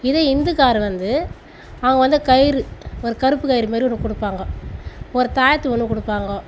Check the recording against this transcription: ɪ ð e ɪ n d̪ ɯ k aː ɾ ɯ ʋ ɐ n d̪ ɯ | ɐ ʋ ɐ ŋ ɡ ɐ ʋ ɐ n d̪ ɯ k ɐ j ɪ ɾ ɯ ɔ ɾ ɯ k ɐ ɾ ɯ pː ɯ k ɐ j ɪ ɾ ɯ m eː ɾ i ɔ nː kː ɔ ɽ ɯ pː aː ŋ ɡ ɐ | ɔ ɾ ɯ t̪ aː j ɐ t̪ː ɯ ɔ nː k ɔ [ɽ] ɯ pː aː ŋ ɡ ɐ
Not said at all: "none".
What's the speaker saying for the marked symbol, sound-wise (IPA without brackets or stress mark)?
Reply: ɽ